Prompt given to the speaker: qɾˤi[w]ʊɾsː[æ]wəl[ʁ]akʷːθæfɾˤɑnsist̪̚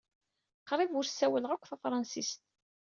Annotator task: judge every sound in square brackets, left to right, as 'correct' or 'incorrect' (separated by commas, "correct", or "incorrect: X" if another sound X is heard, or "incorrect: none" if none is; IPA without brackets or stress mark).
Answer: incorrect: v, correct, correct